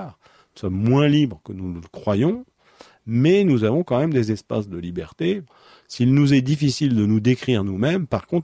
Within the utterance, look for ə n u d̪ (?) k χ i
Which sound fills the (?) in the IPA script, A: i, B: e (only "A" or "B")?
B